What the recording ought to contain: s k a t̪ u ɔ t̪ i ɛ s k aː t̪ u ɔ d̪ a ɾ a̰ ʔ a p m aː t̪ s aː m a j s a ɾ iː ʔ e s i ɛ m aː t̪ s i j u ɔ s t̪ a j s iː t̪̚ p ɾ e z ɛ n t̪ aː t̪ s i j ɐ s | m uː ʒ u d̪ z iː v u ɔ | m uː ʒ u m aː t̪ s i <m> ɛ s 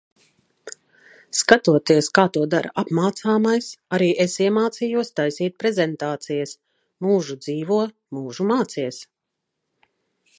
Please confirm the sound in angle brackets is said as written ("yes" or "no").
no